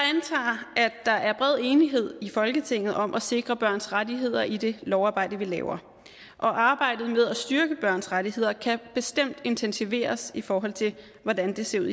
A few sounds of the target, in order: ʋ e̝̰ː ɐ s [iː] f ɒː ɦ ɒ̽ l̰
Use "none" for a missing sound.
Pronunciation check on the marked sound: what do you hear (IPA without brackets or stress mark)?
i